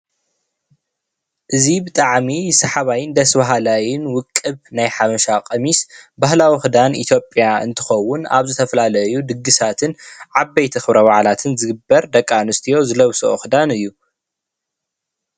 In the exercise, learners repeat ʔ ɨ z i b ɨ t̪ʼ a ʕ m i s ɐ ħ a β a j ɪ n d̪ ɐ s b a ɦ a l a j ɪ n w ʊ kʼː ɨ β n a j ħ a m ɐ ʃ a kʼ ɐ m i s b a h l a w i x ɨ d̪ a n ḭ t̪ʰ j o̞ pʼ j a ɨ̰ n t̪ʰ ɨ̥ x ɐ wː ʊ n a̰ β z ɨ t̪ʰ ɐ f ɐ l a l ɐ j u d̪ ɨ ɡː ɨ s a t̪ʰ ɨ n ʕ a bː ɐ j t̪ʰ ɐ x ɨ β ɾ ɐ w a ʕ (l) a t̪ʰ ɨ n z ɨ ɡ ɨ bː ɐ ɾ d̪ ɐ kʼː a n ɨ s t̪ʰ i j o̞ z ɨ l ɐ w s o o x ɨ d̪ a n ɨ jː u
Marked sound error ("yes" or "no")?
no